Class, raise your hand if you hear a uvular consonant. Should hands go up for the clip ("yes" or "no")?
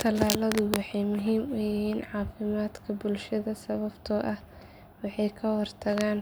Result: no